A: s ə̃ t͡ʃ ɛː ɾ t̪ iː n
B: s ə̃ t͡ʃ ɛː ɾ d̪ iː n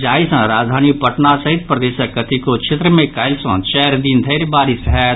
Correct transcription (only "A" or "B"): B